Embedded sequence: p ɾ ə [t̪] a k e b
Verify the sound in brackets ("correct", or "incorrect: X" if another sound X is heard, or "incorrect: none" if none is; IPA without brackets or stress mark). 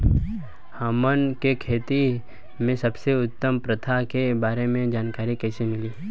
incorrect: t̪ʰ